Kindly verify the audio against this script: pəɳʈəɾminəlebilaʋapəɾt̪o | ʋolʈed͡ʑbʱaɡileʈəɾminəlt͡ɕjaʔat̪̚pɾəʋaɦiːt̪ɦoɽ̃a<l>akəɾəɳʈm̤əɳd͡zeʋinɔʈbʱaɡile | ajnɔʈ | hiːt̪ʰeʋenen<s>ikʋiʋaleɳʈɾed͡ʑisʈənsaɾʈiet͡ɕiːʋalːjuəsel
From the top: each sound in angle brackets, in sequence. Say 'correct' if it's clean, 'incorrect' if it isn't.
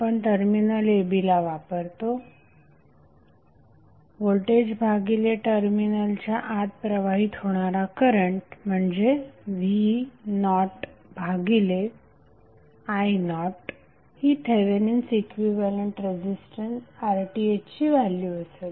incorrect: ɾ, correct

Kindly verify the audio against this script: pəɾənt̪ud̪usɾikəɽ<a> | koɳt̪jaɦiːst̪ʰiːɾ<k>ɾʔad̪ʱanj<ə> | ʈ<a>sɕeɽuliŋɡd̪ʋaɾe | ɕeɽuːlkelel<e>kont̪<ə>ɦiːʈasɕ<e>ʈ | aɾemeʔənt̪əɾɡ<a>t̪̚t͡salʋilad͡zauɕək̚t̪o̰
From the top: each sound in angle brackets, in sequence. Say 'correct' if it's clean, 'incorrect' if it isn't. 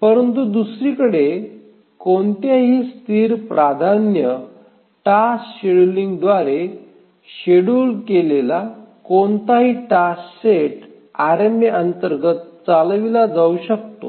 incorrect: e, incorrect: p, correct, correct, incorrect: a, incorrect: a, correct, incorrect: ə

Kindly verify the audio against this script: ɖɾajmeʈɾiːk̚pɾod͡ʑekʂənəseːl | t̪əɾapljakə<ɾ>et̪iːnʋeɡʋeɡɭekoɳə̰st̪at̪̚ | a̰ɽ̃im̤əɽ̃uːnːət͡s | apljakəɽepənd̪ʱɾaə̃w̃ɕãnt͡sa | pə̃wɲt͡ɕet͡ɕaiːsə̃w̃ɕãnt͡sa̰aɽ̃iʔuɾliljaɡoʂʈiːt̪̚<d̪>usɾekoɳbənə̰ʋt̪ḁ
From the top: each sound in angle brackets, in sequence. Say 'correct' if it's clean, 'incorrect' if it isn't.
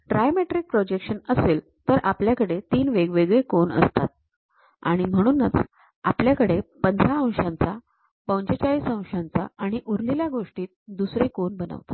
incorrect: ɽ, correct

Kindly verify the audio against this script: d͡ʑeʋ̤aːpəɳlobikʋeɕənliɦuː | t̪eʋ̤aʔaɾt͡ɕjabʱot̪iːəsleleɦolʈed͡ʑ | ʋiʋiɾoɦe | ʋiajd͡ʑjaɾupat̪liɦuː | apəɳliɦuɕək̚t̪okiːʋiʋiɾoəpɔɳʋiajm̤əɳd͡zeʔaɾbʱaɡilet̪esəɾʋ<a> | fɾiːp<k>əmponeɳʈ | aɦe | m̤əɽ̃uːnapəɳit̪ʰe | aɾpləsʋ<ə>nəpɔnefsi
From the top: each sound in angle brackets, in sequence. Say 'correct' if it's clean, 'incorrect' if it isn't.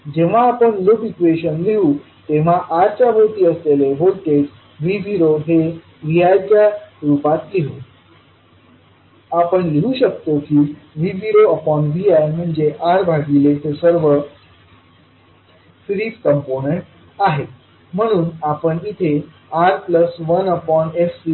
incorrect: ə, correct, correct

